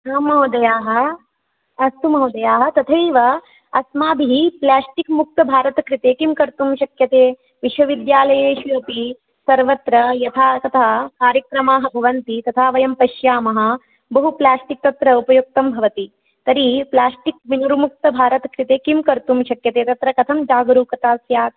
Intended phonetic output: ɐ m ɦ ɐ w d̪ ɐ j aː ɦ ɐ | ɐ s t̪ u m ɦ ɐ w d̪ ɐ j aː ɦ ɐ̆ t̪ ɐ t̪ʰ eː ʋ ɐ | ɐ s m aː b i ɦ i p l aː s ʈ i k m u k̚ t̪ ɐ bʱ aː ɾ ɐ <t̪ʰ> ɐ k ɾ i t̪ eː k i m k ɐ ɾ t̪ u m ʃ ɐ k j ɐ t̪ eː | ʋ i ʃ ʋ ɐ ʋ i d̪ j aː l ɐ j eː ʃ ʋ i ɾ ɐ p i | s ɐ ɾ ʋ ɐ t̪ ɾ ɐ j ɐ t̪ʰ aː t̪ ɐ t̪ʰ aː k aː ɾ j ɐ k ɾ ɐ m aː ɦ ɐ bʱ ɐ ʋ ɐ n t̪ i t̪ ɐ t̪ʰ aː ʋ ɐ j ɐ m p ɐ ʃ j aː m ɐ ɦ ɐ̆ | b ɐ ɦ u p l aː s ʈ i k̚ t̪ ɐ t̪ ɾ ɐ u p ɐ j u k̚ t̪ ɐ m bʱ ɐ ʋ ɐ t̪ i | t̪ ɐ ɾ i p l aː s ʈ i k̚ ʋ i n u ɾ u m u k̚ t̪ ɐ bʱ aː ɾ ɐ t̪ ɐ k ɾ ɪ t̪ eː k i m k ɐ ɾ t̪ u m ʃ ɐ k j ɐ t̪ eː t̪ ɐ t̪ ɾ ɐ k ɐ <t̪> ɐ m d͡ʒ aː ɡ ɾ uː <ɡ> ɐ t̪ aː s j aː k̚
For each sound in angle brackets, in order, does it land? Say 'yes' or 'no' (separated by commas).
no, no, no